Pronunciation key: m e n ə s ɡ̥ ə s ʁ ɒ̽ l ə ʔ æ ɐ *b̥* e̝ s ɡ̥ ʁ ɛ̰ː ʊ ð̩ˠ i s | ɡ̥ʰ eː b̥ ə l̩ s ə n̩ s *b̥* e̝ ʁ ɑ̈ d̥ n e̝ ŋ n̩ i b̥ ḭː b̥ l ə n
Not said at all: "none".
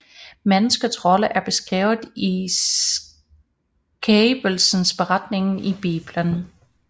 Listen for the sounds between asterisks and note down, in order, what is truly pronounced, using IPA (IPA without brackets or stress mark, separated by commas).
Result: b̥, b̥